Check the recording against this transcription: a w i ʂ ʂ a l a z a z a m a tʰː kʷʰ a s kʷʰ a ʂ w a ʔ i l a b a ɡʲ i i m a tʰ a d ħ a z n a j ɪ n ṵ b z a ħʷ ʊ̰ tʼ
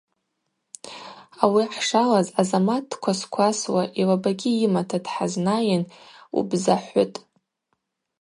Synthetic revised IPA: a w i ħ ʂ a l a z a z a m a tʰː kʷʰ a s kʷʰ a s w a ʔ i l a b a ɡʲ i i m a tʰ a d ħ a z n a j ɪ n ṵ b z a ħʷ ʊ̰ tʼ

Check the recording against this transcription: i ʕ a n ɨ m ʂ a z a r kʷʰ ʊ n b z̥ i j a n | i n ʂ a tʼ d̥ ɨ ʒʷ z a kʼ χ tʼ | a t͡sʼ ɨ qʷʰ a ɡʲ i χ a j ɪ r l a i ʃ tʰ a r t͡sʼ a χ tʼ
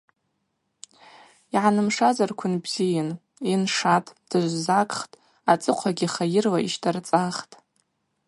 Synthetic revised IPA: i ʕ a n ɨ m ʂ a z a r kʷʰ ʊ n b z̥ i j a n | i n ʂ a tʼ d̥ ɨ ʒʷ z a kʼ χ tʼ | a t͡sʼ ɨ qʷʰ a ɡʲ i χ a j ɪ r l a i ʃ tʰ a r t͡sʼ a χ tʼ

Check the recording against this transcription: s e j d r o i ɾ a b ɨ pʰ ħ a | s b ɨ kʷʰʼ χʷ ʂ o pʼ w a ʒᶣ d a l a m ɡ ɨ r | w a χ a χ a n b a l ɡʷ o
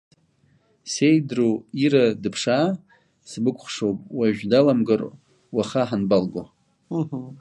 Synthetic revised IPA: s e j d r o i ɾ a d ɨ pʰ ʂ a | s b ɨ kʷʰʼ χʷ ʂ o pʼ w a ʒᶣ d a l a m ɡ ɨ r | w a χ a ħ a n b a l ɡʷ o

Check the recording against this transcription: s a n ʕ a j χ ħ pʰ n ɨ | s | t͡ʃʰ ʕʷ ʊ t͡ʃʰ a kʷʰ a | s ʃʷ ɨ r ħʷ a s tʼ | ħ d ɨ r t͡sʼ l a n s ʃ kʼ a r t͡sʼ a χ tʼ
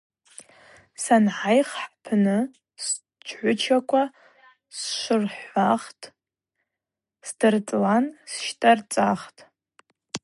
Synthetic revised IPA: s a n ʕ a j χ ħ pʰ n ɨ | s | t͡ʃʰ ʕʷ ʊ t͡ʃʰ a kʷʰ a | s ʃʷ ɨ r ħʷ a χ tʼ | s d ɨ r t͡sʼ l a n s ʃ tʼ a r t͡sʼ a χ tʼ

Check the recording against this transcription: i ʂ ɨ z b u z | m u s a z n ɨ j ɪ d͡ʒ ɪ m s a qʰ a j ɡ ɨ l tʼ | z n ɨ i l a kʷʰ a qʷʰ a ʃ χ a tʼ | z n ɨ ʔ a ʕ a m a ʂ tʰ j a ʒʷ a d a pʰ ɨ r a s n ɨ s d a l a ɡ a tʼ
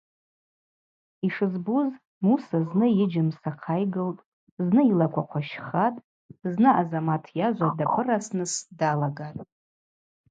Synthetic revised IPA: i ʂ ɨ z b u z | m u s a z n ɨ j ɪ d͡ʒ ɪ m s a qʰ a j ɡ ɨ l tʼ | z n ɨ i l a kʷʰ a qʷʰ a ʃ χ a tʼ | z n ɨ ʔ a z a m a tʰ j a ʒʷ a d a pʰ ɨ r a s n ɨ s d a l a ɡ a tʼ

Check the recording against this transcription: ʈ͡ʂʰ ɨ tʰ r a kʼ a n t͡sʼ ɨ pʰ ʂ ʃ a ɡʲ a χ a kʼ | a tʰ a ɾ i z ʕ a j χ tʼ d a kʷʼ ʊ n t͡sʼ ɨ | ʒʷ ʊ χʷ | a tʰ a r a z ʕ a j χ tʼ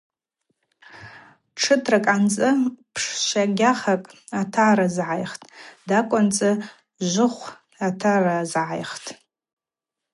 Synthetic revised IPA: ʈ͡ʂʰ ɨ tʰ r a kʼ a n t͡sʼ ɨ pʰ ʂ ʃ a ɡʲ a χ a kʼ | a tʰ a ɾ a z ʕ a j χ tʼ d a kʷʼ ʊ n t͡sʼ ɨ | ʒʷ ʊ χʷ | a tʰ a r a z ʕ a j χ tʼ

